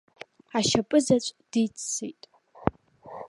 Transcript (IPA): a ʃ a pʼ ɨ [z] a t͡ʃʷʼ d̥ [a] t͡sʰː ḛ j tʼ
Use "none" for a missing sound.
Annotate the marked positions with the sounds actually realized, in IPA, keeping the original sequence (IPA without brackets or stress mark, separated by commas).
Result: z, i